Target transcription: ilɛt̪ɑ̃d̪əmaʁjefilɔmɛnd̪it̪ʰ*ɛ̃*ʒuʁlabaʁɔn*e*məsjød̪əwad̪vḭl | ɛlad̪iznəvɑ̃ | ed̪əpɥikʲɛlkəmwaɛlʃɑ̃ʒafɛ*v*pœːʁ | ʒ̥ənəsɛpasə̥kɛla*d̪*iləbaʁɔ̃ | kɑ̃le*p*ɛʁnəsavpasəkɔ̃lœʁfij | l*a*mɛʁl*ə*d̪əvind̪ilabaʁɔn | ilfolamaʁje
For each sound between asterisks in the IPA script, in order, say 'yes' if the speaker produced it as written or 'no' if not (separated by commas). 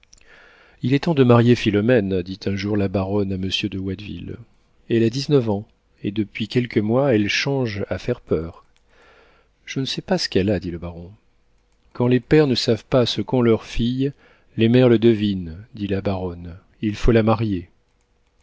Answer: yes, no, no, yes, yes, no, yes